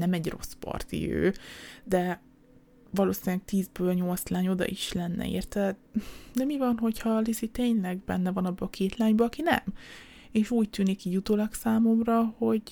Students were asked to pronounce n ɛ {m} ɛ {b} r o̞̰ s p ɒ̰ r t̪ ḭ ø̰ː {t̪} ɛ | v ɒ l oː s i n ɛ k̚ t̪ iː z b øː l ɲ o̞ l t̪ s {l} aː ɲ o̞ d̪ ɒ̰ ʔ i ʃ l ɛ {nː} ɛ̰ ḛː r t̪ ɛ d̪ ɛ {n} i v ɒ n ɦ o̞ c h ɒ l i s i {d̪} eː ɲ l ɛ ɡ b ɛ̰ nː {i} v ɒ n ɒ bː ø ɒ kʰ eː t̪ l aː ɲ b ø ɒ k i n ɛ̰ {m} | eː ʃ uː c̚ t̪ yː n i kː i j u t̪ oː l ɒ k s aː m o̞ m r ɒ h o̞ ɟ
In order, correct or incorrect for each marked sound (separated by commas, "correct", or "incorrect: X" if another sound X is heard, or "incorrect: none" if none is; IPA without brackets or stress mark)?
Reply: correct, incorrect: ɟ, incorrect: d̪, correct, correct, incorrect: m, incorrect: t̪, incorrect: ɛ, correct